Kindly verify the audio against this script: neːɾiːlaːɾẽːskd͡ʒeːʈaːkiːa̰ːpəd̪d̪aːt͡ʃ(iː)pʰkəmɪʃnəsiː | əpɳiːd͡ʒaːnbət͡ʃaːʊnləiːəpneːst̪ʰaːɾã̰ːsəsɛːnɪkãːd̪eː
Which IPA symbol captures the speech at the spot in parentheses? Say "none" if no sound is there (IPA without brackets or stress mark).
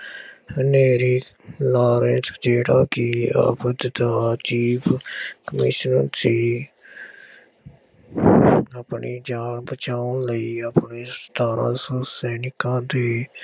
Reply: iː